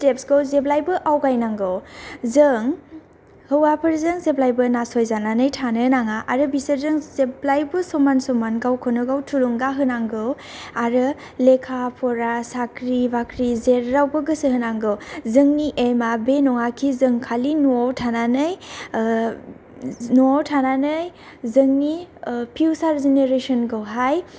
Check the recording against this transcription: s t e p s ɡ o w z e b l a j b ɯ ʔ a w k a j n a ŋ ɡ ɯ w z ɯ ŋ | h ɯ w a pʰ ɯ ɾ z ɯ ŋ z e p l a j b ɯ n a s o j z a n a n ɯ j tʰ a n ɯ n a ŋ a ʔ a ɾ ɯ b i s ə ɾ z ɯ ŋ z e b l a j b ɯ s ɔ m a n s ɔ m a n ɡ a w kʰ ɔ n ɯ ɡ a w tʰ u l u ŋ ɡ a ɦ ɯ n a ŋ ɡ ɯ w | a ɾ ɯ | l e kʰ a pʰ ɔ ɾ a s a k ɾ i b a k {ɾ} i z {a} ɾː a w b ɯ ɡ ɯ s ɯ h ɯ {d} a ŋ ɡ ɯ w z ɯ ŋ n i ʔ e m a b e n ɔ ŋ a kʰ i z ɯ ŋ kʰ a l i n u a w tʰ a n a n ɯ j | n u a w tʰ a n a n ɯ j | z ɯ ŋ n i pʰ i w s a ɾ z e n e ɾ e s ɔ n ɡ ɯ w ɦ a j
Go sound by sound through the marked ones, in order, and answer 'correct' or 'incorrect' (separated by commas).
correct, incorrect, incorrect